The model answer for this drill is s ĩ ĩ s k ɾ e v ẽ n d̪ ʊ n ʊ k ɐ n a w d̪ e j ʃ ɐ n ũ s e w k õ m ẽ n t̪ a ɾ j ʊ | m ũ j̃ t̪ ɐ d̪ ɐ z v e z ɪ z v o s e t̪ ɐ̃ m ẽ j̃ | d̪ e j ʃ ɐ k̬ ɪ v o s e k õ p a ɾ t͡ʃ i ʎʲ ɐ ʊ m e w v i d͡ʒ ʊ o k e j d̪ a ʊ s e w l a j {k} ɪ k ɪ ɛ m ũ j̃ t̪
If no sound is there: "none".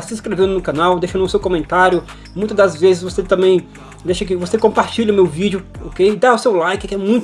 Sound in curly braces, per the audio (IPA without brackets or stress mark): k